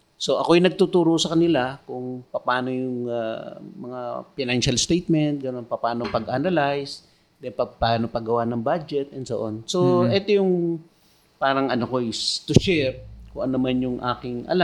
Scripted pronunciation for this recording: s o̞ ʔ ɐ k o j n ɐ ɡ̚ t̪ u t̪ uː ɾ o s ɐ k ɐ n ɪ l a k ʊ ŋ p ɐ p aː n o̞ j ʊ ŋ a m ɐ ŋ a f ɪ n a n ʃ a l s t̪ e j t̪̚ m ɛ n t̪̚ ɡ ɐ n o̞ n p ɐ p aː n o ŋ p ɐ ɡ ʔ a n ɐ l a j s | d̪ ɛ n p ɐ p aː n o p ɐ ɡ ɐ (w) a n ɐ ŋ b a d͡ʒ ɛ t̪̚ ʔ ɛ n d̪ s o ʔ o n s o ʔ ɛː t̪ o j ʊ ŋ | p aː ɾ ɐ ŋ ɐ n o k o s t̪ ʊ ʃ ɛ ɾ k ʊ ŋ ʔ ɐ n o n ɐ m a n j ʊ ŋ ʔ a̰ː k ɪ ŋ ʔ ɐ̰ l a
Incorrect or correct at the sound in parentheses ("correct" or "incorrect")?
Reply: correct